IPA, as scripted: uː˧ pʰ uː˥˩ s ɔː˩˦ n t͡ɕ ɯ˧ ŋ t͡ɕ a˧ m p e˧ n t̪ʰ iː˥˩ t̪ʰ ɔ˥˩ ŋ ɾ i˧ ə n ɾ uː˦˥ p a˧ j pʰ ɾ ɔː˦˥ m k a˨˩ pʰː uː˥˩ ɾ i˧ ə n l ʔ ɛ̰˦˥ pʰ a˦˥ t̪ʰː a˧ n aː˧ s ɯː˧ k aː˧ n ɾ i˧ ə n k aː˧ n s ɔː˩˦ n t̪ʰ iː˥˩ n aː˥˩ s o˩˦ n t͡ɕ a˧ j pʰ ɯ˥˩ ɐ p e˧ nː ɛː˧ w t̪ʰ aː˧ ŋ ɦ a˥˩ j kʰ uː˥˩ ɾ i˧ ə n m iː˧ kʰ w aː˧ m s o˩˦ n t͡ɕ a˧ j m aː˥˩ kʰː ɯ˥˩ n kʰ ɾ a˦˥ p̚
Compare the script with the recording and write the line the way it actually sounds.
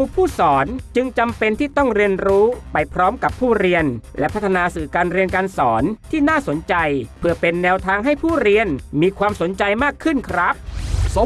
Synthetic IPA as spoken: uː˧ pʰ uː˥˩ s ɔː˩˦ n t͡ɕ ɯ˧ ŋ t͡ɕ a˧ m p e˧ n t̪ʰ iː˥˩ t̪ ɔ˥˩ ŋ ɾ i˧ ə n ɾ uː˦˥ p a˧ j pʰ ɾ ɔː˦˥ m k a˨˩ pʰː uː˥˩ ɾ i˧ ə n l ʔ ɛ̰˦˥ pʰ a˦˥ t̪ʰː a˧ n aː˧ s ɯː˨˩ k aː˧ n ɾ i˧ ə n k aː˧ n s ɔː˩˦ n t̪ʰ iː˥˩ n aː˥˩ s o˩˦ n t͡ɕ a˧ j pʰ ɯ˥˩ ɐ p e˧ nː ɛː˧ w t̪ʰ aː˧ ŋ ɦ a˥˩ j pʰ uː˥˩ ɾ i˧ ə n m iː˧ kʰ w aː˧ m s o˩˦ n t͡ɕ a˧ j m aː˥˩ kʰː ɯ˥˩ n kʰ ɾ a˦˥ p̚